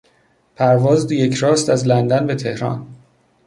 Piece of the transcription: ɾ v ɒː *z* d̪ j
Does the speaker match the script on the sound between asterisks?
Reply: yes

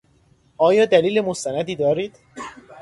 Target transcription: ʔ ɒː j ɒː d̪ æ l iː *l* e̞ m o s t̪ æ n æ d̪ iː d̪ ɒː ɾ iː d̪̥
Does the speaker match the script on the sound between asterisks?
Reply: yes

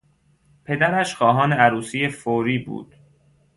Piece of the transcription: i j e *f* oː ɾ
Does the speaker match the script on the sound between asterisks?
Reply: yes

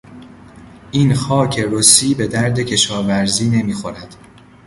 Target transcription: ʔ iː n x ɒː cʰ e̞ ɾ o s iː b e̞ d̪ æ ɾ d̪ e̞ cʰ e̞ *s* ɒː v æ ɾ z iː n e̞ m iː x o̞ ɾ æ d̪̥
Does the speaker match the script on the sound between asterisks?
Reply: no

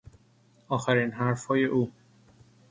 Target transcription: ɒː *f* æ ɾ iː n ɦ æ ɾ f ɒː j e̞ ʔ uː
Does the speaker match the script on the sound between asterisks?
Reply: no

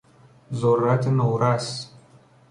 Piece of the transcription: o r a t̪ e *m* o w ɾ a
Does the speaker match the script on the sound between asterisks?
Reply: no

